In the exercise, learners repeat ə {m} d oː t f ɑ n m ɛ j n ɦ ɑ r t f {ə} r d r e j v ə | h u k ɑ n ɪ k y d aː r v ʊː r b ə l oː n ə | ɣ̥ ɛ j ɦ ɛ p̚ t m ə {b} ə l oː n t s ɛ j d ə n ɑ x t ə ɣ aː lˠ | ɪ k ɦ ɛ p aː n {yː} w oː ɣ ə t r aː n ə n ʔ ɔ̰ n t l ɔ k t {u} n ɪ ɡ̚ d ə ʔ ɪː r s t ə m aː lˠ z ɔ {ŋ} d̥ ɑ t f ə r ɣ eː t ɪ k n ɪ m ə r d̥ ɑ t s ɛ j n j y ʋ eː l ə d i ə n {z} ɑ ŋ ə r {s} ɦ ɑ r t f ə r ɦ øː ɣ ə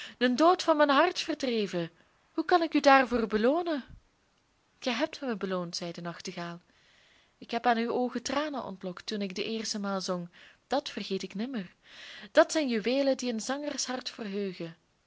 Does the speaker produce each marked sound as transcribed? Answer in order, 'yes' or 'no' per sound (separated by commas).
no, yes, yes, no, yes, yes, yes, yes